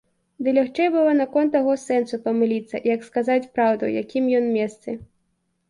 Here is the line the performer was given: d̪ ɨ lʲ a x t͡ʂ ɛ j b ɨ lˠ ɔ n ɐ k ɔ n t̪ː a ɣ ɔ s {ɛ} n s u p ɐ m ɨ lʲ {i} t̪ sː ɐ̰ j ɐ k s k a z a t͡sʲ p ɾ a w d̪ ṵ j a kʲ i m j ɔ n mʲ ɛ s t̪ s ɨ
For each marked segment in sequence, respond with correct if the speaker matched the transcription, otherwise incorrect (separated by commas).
correct, correct